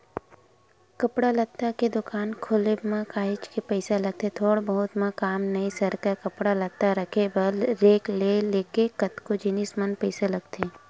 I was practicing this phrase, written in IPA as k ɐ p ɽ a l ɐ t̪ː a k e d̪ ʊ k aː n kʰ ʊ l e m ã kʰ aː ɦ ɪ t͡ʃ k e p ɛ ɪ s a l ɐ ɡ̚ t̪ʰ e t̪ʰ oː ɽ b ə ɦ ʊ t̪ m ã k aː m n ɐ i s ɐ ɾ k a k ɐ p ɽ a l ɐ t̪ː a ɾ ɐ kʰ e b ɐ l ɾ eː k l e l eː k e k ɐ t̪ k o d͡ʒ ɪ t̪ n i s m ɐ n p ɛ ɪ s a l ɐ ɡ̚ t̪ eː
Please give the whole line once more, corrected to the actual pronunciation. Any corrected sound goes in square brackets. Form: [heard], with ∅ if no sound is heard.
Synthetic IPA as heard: k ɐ p ɽ a l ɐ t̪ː a k e d̪ ʊ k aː n kʰ ʊ l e m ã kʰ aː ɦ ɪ t͡ʃ k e p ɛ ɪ s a l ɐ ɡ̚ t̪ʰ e t̪ʰ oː ɽ b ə ɦ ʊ t̪ m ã k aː m n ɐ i s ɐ ɾ k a k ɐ p ɽ a l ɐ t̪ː a ɾ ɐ kʰ e b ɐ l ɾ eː k l e l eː k e k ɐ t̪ k o d͡ʒ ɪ [∅] n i s m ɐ n p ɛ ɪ s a l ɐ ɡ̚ t̪ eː